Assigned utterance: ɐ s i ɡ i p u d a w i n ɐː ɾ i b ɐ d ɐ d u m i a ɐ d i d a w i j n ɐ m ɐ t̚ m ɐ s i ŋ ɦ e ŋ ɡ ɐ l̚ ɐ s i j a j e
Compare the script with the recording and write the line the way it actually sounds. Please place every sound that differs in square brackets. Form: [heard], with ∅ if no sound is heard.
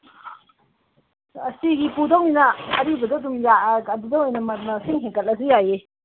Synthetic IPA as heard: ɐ s i ɡ i p u d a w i n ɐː ɾ i b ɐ d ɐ d u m [j] a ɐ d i d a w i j n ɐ m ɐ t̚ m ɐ s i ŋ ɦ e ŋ [k] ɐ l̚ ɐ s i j a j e